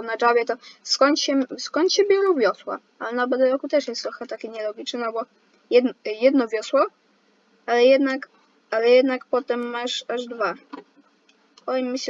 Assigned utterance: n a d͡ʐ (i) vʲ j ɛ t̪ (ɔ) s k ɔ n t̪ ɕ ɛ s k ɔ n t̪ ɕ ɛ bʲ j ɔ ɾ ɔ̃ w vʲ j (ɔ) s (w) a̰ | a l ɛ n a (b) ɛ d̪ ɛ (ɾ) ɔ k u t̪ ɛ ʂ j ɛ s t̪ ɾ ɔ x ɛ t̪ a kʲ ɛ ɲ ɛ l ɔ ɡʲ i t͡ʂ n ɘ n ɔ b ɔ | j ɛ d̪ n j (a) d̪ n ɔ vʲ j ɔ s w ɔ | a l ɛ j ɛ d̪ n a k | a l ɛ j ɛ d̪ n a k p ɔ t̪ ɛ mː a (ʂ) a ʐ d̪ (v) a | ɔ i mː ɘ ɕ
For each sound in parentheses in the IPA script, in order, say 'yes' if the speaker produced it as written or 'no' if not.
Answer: no, yes, yes, yes, yes, yes, no, yes, yes

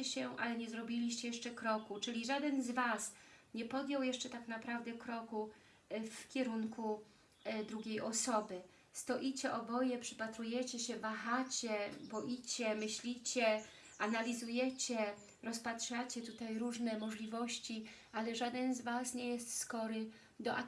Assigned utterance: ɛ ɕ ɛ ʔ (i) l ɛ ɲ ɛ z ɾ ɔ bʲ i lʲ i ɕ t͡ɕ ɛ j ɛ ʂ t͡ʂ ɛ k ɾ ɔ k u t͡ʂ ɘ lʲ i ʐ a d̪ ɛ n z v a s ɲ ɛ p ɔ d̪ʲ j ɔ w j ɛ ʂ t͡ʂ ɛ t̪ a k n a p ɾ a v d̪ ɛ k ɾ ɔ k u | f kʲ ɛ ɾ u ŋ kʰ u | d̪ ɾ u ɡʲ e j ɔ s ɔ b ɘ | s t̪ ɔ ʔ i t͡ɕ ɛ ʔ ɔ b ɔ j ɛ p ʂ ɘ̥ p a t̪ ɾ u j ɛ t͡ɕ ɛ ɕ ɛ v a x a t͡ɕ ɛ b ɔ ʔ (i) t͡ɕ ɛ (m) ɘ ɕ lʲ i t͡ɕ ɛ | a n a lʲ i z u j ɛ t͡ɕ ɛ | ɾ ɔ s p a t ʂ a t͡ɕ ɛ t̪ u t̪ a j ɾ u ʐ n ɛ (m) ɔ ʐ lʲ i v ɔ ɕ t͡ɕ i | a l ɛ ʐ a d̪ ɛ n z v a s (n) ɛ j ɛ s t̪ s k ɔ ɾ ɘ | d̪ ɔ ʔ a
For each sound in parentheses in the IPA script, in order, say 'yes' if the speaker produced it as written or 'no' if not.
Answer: no, yes, yes, yes, no

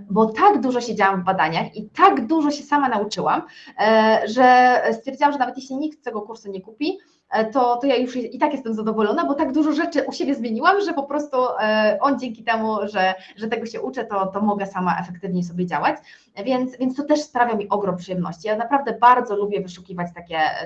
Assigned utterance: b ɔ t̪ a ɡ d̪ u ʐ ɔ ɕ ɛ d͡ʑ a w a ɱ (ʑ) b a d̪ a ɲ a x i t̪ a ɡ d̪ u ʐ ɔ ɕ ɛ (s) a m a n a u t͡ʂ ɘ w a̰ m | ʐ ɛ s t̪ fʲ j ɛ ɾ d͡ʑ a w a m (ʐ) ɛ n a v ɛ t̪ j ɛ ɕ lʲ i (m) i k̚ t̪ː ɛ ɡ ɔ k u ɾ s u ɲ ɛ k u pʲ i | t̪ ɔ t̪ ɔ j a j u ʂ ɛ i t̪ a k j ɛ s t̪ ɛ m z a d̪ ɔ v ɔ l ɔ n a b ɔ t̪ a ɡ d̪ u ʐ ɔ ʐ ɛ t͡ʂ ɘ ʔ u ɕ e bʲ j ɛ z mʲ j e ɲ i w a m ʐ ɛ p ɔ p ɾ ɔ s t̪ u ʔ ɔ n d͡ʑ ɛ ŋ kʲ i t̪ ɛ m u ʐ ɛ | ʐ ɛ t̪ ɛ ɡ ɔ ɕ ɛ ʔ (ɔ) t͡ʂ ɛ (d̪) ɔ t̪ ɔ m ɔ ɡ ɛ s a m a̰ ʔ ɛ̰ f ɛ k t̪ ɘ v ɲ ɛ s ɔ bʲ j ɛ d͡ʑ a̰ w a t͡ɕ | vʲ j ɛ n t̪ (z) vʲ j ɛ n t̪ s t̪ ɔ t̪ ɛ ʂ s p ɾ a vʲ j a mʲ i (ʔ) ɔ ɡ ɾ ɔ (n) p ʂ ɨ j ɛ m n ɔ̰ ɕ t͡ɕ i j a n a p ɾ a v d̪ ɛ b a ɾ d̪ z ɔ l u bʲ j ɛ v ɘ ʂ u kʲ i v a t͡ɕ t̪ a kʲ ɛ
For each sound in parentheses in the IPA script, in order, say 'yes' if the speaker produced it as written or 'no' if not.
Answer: no, yes, yes, no, no, no, no, yes, no

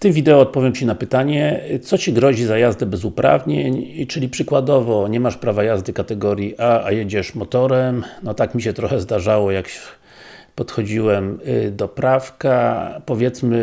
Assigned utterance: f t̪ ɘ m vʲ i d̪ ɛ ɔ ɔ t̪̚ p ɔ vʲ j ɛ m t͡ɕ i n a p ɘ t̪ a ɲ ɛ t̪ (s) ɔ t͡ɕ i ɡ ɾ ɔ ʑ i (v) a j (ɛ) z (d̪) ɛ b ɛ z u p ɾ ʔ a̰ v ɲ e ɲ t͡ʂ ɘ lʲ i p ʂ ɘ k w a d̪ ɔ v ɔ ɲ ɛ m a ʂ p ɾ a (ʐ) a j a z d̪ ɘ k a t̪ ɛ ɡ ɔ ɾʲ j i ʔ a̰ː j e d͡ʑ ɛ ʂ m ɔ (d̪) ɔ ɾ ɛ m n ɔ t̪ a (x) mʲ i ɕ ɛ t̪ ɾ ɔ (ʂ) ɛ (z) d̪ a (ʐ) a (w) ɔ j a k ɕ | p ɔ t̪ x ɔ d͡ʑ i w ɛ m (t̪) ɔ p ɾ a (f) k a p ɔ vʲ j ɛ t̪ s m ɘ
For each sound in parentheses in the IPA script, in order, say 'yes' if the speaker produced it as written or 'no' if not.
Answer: yes, no, no, yes, no, no, no, no, yes, yes, yes, no, yes

